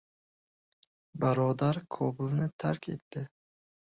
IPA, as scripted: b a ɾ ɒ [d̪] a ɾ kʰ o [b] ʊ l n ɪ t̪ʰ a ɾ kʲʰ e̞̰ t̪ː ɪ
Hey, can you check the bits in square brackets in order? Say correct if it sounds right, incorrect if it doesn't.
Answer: correct, correct

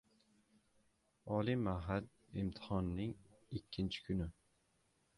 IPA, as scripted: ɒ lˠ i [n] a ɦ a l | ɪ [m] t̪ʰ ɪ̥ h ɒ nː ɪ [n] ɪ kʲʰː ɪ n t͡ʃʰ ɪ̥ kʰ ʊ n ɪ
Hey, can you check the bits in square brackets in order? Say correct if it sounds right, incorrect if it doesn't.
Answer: incorrect: m, correct, incorrect: ŋ

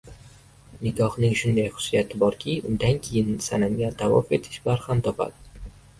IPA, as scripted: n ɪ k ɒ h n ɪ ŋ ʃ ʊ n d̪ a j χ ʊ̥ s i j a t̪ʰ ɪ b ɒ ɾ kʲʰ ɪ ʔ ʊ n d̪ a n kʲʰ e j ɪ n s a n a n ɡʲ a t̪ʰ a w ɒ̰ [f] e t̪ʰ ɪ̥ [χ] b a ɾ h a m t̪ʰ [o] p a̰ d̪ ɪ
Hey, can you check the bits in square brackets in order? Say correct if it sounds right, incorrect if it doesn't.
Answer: correct, incorrect: ʃ, incorrect: ɒ

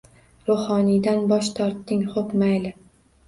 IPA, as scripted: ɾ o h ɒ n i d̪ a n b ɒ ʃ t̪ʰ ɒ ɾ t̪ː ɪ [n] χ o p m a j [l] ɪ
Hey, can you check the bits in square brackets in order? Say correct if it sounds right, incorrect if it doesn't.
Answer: incorrect: ŋ, correct

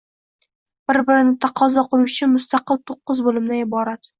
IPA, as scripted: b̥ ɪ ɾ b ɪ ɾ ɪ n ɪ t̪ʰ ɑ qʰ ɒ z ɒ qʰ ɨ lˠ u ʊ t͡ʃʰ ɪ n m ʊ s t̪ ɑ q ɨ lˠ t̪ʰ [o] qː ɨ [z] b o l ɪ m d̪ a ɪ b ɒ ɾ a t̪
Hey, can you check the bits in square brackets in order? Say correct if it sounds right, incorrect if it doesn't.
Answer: correct, correct

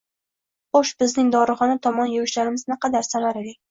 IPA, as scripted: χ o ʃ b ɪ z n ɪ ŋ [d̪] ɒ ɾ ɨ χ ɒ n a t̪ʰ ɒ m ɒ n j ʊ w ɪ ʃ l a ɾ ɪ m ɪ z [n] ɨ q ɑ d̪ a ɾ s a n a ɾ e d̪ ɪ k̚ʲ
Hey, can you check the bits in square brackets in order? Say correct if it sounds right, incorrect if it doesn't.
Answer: correct, correct

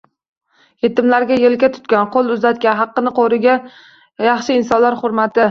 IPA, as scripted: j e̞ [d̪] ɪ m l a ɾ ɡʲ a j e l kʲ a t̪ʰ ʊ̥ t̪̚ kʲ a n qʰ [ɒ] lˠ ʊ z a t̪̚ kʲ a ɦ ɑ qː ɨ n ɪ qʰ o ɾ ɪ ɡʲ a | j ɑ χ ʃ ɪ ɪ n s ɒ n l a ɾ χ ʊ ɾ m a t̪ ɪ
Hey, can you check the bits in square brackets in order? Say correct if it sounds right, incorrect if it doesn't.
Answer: incorrect: t̪, incorrect: o

